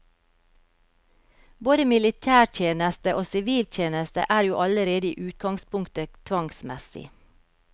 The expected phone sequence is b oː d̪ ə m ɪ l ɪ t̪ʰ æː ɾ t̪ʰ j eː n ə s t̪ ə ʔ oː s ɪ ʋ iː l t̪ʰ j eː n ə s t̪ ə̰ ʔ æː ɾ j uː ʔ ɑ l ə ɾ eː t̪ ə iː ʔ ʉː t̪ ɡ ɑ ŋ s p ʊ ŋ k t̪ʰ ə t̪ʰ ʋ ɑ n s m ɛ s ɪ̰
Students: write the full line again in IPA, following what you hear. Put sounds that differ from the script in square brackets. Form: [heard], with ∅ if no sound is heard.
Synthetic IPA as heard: b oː d̪ ə m ɪ l ɪ t̪ʰ æː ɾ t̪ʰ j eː n ə s t̪ ə ʔ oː s ɪ ʋ iː l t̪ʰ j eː n ə s t̪ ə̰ ʔ æː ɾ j uː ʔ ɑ l ə ɾ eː [d̪] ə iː ʔ ʉː t̪ ɡ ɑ ŋ s p ʊ ŋ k [t̪] ə t̪ʰ ʋ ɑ [ŋ] s m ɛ s ɪ̰